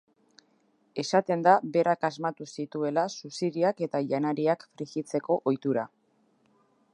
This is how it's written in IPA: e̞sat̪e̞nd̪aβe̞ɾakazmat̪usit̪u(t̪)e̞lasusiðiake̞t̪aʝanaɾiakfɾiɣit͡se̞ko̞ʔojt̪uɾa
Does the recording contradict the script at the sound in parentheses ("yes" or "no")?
yes